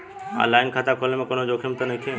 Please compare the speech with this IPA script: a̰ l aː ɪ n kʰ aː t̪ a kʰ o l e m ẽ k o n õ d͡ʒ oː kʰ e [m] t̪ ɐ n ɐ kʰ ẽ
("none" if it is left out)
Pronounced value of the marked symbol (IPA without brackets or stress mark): m